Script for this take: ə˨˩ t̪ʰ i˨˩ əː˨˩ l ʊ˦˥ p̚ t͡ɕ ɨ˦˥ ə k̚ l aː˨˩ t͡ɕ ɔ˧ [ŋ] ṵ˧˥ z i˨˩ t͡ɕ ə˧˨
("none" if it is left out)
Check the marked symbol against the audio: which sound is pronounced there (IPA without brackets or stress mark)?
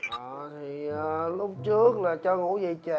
ŋ